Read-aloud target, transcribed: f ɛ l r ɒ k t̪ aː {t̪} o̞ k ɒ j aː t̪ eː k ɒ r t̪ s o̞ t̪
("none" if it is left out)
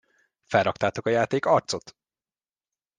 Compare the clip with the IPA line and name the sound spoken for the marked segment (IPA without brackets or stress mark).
t̪